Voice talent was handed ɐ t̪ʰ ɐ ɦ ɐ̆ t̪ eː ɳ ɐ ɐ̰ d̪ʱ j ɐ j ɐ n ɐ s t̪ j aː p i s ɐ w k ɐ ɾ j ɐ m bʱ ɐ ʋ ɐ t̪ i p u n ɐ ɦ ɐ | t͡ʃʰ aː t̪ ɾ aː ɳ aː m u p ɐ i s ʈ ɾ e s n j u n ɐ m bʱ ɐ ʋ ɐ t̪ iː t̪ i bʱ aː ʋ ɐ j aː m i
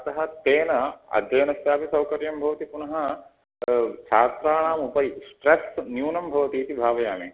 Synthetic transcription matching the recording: ɐ t̪ ɐ ɦ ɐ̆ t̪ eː n ɐ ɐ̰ d̪ʱ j ɐ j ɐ n ɐ s t̪ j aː p i s ɐ w k ɐ ɾ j ɐ m bʱ ɐ ʋ ɐ t̪ i p u n ɐ ɦ ɐ | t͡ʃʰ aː t̪ ɾ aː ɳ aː m u p ɐ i s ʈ ɾ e s n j uː n ɐ m bʱ ɐ ʋ ɐ t̪ iː t̪ i bʱ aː ʋ ɐ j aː m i